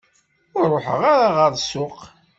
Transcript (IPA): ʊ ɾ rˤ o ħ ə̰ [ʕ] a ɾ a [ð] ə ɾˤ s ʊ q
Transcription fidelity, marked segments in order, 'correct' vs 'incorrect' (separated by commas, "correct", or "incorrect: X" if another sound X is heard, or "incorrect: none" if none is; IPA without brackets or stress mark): incorrect: ʁ, incorrect: ʁ